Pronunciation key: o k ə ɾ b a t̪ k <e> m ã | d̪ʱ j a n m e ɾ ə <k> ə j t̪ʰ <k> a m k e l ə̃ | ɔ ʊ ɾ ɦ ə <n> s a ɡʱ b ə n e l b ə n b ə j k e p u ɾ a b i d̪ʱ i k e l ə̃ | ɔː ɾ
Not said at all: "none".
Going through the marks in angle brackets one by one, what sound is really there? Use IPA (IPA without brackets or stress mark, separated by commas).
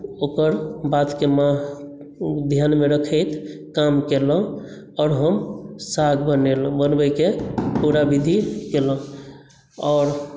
e, kʰ, k, m